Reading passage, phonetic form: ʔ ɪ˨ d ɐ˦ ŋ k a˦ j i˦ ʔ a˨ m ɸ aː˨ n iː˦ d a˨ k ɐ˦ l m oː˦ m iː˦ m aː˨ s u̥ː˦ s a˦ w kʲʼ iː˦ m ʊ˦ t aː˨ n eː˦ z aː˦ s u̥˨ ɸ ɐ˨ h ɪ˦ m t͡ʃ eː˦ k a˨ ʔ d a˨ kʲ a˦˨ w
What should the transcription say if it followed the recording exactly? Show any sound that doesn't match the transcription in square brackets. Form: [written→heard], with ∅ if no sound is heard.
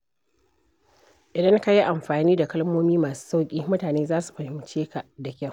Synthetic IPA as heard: ʔ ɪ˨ d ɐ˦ ŋ k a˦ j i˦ ʔ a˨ m ɸ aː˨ n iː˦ d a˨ k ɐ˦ l m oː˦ m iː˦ m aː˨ s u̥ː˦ s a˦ w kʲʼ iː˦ m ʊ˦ t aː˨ n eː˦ z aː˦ s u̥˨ ɸ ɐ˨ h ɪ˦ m t͡ʃ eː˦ k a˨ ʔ d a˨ kʲ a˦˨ w